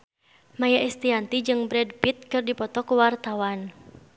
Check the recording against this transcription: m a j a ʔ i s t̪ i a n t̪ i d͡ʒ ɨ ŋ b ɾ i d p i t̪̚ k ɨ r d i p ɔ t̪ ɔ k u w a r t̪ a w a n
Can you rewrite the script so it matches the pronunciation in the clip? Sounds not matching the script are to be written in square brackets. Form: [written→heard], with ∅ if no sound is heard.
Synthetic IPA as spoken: m a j a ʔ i s t̪ i a n t̪ i d͡ʒ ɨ ŋ b ɾ [i→ɛ] d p i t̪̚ k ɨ r d i p ɔ t̪ ɔ k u w a r t̪ a w a n